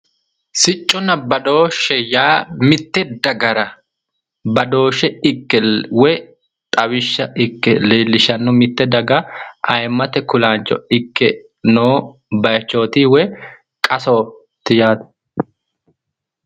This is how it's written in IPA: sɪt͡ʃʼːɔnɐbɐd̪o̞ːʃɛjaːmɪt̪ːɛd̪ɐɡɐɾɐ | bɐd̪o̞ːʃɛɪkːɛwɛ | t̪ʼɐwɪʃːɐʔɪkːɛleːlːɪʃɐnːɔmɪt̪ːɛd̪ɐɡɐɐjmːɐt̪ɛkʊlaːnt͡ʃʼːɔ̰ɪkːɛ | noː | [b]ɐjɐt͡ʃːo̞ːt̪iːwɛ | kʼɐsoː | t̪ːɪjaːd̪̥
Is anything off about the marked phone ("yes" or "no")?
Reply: no